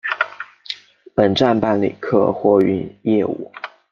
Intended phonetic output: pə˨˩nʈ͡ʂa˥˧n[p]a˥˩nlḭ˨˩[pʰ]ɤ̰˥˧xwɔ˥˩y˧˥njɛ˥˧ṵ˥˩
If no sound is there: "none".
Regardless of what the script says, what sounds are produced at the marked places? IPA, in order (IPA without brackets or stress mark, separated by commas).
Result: p, kʰ